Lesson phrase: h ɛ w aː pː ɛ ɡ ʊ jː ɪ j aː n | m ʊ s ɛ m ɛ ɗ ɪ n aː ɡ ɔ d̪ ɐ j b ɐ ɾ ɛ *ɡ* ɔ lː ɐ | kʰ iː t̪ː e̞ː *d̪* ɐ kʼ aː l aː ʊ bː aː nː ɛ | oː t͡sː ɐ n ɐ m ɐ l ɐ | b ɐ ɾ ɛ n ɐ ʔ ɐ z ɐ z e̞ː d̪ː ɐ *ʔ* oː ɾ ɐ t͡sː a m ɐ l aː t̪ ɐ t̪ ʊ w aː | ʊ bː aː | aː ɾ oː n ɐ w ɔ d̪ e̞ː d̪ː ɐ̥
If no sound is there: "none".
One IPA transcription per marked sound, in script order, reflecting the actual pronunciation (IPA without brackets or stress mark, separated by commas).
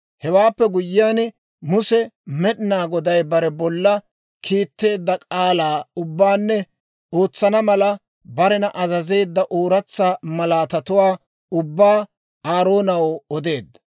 b, d̪ː, ʔ